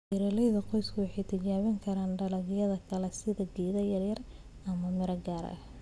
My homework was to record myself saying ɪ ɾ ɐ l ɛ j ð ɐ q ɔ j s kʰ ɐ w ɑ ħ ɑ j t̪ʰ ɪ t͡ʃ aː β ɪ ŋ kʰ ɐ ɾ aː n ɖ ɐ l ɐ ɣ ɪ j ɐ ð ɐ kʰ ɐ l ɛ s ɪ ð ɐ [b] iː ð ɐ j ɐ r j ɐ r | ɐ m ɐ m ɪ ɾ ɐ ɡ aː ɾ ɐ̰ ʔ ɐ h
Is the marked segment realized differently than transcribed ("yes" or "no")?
yes